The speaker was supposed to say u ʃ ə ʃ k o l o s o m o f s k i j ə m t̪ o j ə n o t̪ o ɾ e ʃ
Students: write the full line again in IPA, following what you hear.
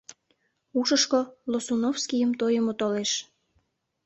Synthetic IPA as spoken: u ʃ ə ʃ k o l o s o n o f s k i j ə m t̪ o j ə m o t̪ o l e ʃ